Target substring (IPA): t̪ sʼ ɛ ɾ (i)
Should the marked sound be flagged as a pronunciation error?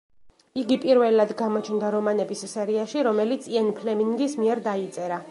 yes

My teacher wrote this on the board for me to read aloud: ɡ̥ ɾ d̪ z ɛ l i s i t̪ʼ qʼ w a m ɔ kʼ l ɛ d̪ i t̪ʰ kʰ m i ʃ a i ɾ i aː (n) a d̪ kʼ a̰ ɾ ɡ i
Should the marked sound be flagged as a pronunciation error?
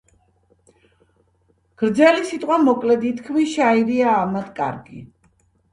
yes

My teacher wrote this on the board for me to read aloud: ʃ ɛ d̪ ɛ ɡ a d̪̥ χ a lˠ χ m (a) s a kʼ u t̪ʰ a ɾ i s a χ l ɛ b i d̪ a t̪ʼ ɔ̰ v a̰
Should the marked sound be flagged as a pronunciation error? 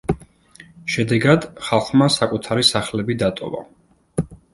no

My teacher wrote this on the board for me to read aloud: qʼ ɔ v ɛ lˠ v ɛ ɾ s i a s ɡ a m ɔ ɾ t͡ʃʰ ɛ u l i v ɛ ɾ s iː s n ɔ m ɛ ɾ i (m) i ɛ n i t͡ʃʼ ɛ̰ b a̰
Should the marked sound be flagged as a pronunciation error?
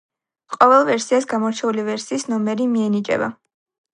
no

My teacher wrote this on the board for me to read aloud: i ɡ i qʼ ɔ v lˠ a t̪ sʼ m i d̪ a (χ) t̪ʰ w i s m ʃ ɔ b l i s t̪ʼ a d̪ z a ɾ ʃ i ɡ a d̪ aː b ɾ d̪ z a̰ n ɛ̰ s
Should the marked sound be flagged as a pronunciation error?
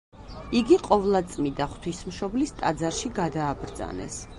no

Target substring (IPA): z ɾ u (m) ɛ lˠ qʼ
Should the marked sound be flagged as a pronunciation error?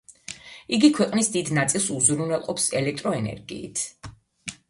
yes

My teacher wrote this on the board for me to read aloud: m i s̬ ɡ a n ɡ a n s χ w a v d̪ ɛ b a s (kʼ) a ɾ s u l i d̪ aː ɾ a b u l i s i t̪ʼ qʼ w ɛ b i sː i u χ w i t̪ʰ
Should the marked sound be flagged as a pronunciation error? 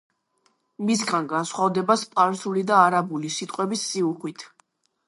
yes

